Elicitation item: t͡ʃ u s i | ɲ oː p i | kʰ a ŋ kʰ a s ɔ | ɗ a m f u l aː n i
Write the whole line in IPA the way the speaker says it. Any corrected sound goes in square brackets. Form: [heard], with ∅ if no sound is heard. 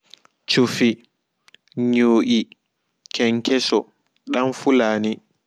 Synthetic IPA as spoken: t͡ʃ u [f] i | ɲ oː [ʔ] i | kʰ [ɛ] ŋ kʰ [ɛ] s ɔ | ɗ a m f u l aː n i